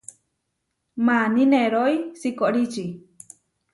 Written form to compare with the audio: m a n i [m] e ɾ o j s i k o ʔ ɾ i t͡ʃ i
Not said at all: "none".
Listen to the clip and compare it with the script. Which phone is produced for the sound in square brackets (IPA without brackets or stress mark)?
n